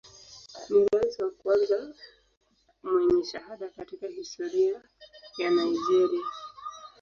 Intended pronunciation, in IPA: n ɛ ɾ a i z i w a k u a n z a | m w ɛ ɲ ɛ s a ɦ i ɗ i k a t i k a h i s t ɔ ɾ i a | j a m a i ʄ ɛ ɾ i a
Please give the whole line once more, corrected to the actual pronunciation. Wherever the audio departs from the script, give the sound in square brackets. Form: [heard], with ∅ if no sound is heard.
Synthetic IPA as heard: n [i] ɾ a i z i w a k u a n z a | m w ɛ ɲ ɛ [ʃ] a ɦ [a] ɗ [a] k a t i k a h i s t ɔ ɾ i a | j a [n] a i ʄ ɛ ɾ i a